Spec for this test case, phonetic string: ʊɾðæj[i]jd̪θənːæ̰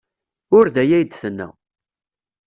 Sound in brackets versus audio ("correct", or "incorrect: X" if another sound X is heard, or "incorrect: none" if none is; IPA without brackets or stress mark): incorrect: æ